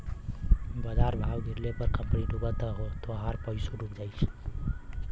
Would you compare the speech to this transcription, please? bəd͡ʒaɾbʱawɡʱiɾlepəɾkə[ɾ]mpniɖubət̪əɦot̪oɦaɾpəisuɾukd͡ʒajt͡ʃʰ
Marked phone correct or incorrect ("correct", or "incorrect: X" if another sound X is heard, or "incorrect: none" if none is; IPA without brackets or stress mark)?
incorrect: none